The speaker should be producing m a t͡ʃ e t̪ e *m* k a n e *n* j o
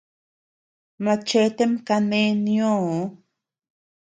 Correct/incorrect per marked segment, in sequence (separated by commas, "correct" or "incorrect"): correct, correct